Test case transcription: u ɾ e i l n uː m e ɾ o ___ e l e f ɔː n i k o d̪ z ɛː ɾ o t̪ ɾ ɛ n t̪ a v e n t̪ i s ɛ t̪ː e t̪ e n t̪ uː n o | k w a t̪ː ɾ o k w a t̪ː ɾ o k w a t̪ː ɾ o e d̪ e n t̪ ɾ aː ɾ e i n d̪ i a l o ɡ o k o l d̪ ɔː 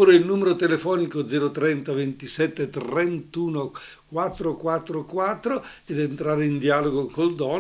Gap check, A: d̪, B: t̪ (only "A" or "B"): B